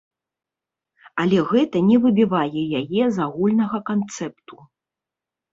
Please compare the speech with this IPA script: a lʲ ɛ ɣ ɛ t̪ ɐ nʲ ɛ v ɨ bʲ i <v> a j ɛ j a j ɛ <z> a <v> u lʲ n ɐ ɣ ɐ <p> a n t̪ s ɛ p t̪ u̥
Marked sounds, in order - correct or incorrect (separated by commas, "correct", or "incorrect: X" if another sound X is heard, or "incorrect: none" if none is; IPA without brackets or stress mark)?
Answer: correct, correct, incorrect: ɣ, incorrect: k